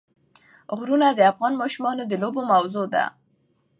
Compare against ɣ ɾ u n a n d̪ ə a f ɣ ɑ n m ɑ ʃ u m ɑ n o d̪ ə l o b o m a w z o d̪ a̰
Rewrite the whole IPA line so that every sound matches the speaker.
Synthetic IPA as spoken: ɣ ɾ u n a d̪ ə a f ɣ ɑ n m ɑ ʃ u m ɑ n o d̪ ə l o b o m a w z o d̪ a̰